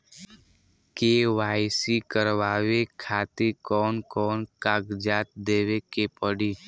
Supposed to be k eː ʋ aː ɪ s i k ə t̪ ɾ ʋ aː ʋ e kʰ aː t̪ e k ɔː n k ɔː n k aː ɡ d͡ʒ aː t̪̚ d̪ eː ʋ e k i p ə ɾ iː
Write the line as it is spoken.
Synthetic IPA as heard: k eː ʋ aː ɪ s i k ə ɾ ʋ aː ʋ e kʰ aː t̪ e k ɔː n k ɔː n k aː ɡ d͡ʒ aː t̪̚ d̪ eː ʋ e k e p ə ɽ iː